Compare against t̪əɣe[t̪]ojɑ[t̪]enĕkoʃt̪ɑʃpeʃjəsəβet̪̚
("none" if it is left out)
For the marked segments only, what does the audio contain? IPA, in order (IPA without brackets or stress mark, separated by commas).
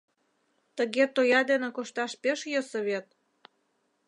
t̪, d̪